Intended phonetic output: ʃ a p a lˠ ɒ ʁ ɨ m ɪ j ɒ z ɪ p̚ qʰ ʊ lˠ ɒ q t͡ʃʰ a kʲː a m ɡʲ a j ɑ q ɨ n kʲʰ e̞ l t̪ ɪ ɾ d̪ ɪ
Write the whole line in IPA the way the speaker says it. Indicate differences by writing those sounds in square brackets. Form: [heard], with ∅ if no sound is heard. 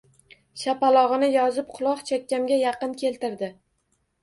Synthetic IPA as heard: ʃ a p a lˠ ɒ ʁ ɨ [n] ɪ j ɒ z ɪ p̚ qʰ ʊ lˠ ɒ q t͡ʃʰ a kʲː a m ɡʲ a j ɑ q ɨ n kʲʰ e̞ l t̪ ɪ ɾ d̪ ɪ